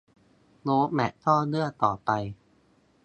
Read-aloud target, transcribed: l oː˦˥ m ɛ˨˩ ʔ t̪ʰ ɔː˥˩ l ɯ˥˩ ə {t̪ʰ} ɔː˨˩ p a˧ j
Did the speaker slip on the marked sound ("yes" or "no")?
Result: yes